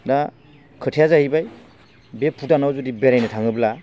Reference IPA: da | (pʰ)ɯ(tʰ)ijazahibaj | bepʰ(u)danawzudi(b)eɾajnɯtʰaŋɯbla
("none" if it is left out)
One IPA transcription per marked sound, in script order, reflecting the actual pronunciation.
kʰ, tʰ, u, b

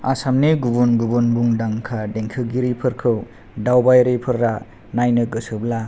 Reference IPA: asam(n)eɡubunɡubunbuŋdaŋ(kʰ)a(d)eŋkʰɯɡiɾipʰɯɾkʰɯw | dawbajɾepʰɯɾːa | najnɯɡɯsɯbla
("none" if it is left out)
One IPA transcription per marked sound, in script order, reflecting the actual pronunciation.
n, kʰ, d

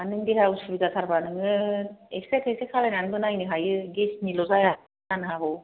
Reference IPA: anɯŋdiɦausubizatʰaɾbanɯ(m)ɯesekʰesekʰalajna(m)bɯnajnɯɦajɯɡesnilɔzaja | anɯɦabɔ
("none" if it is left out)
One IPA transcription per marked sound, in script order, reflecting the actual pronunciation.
ŋ, n

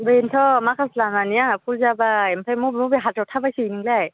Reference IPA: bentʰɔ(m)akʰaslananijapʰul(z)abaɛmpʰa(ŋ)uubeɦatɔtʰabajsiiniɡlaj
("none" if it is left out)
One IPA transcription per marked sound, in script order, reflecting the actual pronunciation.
m, z, m

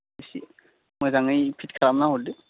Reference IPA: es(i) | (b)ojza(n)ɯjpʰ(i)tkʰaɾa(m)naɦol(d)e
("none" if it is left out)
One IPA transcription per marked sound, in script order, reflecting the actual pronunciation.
i, m, ŋ, i, m, d

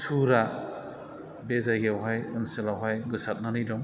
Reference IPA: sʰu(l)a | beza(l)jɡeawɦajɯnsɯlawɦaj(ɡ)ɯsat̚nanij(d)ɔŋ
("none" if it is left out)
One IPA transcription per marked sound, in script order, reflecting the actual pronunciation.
ɾ, none, ɡ, d

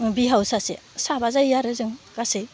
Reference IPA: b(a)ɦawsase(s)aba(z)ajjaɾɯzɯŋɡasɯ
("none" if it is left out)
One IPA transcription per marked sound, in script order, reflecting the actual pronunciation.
i, s, z

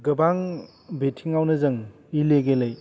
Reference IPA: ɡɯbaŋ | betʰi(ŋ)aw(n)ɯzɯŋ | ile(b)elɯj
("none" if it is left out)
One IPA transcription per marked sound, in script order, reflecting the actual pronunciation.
ŋ, n, ɡ

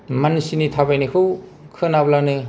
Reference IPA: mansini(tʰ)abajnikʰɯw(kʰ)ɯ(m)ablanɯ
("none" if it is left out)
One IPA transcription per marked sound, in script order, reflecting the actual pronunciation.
tʰ, kʰ, n

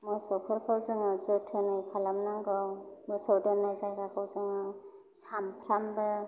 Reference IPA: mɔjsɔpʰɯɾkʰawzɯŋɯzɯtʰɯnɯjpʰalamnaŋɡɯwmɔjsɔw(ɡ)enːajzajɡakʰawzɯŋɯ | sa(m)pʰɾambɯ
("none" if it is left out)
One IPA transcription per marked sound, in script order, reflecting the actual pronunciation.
d, m

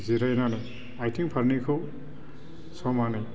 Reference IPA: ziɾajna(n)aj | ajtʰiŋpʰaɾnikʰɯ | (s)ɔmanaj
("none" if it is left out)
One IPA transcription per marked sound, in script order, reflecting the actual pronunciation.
n, s

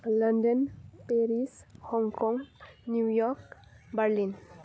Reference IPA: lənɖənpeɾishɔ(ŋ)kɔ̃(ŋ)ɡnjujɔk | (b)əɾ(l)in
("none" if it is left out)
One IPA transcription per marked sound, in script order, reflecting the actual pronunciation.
ŋ, ŋ, b, l

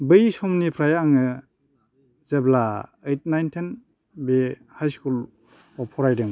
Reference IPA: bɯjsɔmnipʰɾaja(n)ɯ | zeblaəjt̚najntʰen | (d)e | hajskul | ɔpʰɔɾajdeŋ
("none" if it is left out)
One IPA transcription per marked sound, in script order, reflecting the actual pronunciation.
ŋ, b

